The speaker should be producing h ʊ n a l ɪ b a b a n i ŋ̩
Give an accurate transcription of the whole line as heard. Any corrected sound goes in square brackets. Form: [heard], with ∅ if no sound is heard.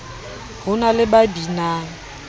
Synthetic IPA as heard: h ʊ n a l ɪ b a b [i] n [a] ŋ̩

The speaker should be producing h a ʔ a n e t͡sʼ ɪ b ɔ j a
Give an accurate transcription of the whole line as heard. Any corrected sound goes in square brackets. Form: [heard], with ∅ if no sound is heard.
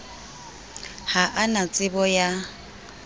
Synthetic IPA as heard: h a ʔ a n [a] t͡sʼ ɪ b ɔ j a

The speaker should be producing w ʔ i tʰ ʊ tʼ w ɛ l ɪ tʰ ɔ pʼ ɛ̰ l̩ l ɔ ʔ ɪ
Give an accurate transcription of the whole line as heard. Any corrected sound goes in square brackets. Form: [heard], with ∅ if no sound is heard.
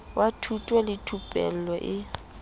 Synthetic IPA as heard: w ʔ [a] tʰ [u] tʼ w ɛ l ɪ tʰ [u] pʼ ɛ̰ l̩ l ɔ ʔ ɪ

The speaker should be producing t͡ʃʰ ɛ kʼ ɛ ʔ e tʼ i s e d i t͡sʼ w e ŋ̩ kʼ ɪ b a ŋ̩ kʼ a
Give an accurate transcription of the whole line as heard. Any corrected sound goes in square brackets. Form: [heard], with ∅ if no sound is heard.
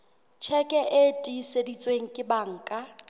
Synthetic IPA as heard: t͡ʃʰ ɛ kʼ ɛ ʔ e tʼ i s e d i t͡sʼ w e ŋ̩ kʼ ɪ b a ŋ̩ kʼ a

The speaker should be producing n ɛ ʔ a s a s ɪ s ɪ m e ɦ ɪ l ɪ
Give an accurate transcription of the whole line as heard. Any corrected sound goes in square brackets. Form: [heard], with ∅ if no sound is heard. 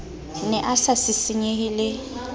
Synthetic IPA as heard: n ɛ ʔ a s a s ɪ s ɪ [ɲ] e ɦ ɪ l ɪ

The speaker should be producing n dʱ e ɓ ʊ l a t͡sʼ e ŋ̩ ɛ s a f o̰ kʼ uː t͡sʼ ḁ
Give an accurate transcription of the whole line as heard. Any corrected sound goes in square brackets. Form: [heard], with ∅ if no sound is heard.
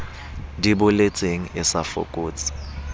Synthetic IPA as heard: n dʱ [i] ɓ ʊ l [e] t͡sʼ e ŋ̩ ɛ s a f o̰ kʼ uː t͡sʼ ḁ

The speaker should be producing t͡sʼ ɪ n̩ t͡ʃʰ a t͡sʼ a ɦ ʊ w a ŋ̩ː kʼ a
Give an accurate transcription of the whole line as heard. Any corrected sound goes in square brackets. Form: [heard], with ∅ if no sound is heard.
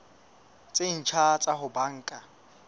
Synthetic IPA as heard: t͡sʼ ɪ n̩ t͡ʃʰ a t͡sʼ a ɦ ʊ [b] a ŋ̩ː kʼ a

